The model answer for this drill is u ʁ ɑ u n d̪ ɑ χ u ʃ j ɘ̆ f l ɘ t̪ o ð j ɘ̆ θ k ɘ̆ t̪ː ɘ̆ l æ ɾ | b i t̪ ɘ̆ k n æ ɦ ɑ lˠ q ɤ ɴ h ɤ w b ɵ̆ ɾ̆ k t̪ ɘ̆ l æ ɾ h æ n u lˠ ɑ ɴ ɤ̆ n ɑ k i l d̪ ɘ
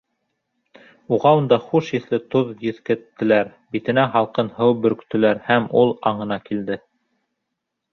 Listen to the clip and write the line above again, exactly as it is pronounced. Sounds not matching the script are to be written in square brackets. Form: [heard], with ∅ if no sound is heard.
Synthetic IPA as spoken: u ʁ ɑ u n d̪ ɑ χ u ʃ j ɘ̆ [θ] l ɘ t̪ o ð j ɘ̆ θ k ɘ̆ t̪ː ɘ̆ l æ ɾ | b i t̪ ɘ̆ [∅] n æ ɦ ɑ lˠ q ɤ [n] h ɤ w b ɵ̆ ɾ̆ k t̪ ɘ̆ l æ ɾ h æ [m] u lˠ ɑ ɴ ɤ̆ n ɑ k i l d̪ ɘ